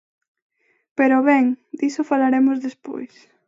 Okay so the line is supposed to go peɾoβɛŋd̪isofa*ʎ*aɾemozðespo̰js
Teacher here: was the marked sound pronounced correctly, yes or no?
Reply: no